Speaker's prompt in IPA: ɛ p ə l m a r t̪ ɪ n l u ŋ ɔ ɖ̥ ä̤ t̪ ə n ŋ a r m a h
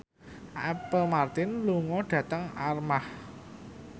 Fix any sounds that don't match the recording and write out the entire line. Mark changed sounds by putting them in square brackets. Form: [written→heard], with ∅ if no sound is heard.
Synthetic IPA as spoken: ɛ p ə l m a r t̪ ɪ n l u ŋ ɔ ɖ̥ ä̤ t̪ ə [n→∅] ŋ a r m a h